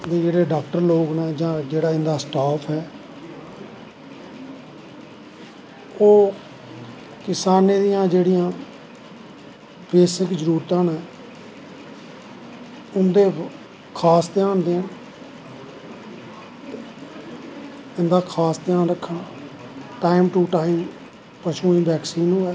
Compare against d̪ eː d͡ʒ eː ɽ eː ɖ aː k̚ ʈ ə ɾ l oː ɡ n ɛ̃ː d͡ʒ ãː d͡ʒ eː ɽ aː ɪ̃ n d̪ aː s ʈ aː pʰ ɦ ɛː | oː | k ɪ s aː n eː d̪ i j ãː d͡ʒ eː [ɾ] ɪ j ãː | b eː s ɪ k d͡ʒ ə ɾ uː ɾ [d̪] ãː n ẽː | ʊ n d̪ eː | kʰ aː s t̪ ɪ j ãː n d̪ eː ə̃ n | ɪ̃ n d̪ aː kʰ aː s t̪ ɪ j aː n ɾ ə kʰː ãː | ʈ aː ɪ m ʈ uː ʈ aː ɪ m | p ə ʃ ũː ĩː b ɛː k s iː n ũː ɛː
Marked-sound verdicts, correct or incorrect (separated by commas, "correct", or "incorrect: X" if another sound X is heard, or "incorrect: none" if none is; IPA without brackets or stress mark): incorrect: ɽ, incorrect: t̪